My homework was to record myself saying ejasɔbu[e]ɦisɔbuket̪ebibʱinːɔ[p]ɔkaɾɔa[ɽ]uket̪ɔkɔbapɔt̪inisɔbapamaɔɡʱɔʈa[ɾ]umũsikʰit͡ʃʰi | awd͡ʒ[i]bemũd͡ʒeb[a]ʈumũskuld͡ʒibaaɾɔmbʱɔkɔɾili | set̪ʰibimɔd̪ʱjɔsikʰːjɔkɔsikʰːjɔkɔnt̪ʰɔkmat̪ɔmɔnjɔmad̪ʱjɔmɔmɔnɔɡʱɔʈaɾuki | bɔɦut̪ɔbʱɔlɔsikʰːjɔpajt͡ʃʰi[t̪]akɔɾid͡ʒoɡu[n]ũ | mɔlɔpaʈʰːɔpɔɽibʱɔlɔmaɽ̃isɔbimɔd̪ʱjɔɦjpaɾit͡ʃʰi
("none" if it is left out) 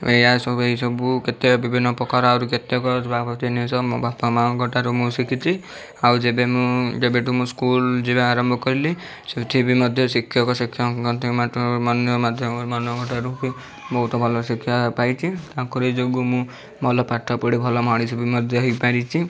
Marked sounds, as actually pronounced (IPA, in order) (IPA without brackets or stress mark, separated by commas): e, p, ɾ, ɾ, e, e, t̪, m